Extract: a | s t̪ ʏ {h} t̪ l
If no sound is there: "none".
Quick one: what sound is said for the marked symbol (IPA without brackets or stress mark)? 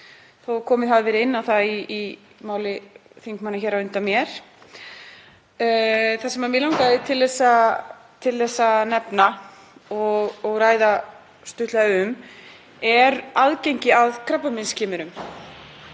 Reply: h